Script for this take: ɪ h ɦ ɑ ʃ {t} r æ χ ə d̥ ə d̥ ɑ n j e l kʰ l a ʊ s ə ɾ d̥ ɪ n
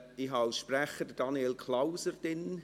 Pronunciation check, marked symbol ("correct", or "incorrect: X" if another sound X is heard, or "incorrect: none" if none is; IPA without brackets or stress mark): incorrect: p